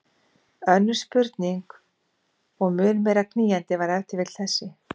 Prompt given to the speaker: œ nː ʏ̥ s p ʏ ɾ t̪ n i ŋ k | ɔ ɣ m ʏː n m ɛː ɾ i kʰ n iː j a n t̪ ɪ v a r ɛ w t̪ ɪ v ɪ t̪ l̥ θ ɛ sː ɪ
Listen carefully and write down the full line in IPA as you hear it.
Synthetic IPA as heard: œ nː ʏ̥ s p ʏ ɾ t̪ n i ŋ k | ɔ ɣ m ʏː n m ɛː ɾ a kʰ n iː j a n t̪ ɪ v a ɾ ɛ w t̪ ɪ v ɪ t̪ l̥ θ ɛ sː ɪ